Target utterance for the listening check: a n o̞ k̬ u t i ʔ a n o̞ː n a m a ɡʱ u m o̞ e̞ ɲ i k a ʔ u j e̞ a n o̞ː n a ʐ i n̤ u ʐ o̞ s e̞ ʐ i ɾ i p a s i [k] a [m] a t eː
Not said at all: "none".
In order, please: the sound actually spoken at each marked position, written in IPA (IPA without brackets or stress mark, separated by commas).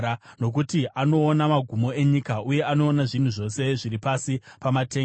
p, m